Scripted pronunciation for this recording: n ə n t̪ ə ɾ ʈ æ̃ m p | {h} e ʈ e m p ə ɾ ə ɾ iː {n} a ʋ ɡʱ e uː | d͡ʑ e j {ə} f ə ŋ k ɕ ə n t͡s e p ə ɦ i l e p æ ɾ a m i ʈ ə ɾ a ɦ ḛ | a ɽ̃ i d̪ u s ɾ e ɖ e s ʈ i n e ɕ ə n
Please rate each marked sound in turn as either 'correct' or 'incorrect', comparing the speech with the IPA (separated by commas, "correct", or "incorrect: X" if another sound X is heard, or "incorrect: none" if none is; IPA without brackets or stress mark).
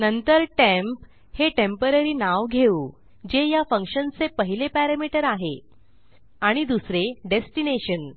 correct, correct, incorrect: a